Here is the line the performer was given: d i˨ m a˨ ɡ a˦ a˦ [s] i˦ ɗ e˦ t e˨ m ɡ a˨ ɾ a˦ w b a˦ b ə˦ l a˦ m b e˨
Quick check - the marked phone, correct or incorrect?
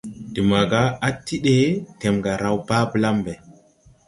incorrect